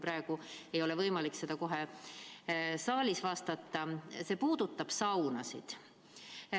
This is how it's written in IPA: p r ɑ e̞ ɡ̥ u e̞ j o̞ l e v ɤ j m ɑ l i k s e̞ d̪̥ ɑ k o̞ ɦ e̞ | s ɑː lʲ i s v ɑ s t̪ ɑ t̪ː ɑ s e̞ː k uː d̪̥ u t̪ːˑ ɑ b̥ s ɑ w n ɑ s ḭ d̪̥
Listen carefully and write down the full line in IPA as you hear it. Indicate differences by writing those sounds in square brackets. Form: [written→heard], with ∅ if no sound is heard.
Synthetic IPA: p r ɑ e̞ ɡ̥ u e̞ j o̞ l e v ɤ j m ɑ l i k s e̞ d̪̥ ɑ k o̞ ɦ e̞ | s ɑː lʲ i s v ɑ s t̪ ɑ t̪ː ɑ s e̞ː [k→p] uː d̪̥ u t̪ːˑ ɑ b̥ s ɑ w n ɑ s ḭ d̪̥